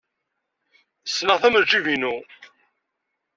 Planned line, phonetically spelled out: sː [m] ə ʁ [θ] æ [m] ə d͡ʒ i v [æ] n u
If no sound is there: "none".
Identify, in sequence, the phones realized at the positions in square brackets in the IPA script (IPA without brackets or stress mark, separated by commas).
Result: n, θ, m, i